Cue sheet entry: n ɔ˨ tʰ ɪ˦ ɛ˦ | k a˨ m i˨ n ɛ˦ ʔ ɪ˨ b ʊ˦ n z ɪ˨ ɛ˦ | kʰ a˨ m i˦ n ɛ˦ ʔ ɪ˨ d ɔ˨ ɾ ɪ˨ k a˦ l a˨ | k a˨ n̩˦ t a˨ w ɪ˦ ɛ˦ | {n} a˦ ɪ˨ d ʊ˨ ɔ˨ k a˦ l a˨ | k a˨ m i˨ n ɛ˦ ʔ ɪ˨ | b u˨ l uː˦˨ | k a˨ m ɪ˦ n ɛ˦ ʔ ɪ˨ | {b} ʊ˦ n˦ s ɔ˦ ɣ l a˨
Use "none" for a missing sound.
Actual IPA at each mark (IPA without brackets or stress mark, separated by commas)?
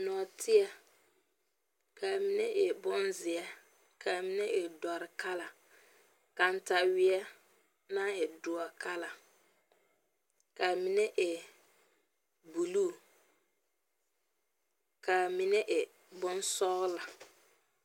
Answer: n, b